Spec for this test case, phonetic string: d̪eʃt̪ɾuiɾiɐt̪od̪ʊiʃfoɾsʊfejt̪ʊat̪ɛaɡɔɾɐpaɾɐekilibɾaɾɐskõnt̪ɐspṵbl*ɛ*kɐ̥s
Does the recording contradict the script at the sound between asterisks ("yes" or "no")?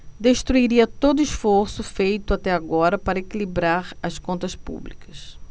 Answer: yes